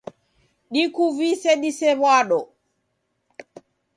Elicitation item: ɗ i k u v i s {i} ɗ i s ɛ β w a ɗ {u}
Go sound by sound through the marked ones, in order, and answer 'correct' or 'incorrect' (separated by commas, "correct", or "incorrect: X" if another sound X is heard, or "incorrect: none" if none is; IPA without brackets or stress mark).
incorrect: ɛ, incorrect: ɔ